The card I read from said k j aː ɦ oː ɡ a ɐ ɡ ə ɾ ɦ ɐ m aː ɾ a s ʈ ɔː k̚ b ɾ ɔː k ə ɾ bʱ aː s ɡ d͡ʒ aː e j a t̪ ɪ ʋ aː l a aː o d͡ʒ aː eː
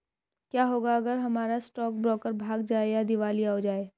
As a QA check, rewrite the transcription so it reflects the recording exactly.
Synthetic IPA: k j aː ɦ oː ɡ a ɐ ɡ ə ɾ ɦ ɐ m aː ɾ a s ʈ ɔː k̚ b ɾ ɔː k ə ɾ bʱ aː ɡ d͡ʒ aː e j a d̪ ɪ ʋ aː l i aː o d͡ʒ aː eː